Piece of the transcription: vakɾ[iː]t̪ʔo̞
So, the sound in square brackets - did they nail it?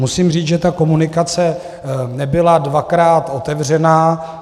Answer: no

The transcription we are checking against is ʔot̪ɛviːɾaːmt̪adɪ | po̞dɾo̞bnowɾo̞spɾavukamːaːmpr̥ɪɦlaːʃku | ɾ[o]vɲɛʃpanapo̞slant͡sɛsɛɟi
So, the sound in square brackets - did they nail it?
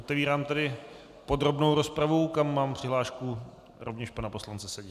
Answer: yes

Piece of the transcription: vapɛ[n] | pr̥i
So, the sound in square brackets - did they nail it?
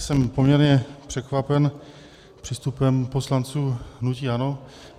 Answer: yes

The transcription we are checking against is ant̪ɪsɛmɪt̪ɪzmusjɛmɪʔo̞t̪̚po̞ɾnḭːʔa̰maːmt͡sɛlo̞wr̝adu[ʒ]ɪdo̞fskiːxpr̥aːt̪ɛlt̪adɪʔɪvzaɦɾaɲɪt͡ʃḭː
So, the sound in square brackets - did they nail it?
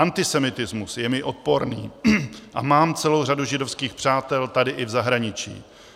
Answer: yes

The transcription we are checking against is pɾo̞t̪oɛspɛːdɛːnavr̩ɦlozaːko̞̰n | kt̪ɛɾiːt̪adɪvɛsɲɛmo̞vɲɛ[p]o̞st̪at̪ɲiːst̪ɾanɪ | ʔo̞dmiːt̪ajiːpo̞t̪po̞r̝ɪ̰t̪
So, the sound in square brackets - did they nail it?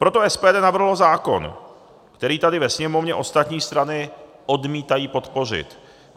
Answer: no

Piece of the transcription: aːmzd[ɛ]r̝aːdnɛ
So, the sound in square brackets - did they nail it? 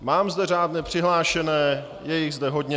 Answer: yes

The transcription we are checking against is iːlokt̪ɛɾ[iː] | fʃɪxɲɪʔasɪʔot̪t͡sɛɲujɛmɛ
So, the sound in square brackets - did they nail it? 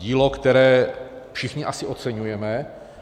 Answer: no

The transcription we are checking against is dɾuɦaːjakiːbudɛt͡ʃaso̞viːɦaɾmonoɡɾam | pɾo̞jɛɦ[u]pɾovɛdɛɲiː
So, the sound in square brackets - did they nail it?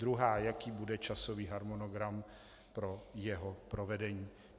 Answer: no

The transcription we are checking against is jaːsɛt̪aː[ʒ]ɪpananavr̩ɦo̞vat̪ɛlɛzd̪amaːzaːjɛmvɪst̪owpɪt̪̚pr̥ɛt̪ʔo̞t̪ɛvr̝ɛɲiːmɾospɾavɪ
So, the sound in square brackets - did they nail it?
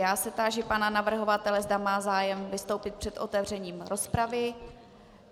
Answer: yes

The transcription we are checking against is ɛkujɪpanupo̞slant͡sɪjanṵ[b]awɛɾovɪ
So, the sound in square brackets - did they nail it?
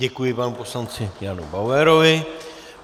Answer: yes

